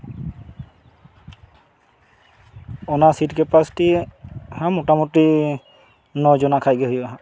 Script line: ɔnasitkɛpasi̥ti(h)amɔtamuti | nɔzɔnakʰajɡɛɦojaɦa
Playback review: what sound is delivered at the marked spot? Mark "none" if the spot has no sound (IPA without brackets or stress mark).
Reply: h